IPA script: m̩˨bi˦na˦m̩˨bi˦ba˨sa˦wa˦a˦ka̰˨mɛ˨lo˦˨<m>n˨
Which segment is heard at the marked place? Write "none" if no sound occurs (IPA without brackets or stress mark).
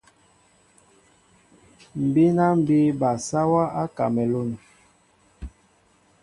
none